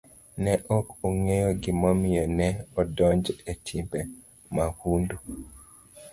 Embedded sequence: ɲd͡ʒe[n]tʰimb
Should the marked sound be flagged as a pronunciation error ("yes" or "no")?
yes